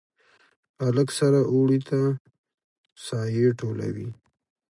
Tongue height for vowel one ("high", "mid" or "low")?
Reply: low